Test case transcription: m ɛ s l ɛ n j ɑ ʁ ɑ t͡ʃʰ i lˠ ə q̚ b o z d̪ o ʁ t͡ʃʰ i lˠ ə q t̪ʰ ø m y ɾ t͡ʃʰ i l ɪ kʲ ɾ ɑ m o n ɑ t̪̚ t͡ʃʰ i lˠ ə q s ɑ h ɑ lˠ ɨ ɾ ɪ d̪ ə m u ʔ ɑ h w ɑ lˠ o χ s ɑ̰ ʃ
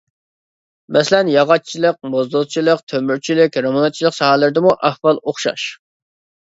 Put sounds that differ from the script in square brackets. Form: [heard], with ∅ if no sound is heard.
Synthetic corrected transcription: m ɛ s l ɛ n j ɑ ʁ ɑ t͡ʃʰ i lˠ ə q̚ [m] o z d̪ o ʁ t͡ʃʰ i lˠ ə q t̪ʰ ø m y ɾ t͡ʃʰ i l ɪ kʲ ɾ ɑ m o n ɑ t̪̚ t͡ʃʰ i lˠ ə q s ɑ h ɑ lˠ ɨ ɾ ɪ d̪ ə m u ʔ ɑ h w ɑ lˠ o χ [ʃ] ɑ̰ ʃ